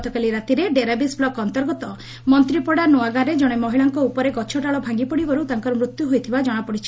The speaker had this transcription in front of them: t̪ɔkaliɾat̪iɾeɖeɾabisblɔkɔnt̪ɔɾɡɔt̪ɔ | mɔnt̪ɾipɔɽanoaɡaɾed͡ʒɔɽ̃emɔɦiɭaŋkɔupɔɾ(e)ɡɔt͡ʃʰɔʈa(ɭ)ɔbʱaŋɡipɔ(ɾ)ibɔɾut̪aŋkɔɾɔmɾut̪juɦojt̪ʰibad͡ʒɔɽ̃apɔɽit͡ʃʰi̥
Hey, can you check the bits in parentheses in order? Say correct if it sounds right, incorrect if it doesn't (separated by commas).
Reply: correct, correct, incorrect